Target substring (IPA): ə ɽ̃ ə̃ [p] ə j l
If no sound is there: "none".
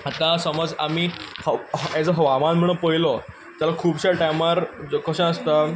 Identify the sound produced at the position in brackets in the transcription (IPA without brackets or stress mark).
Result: p